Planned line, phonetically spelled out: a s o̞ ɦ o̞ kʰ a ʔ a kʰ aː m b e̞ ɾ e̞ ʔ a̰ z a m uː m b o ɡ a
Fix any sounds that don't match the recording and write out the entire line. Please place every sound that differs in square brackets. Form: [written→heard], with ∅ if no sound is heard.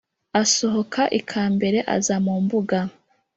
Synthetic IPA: a s o̞ ɦ o̞ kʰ a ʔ [a→i] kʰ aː m b e̞ ɾ e̞ ʔ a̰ z a m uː m b [o→u] ɡ a